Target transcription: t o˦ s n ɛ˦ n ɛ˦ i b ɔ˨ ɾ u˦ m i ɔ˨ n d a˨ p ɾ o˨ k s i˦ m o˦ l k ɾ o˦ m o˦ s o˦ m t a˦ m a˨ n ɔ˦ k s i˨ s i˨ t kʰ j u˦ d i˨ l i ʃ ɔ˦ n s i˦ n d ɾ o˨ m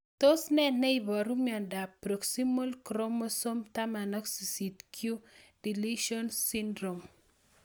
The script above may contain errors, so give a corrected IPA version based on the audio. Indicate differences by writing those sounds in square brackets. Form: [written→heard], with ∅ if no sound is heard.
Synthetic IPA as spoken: t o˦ s n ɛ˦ n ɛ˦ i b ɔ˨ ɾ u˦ m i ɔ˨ n d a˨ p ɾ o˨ k s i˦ m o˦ l k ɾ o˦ m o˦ s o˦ m t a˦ m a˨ n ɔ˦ k s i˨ s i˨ t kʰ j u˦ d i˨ l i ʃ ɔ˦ n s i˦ n d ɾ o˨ m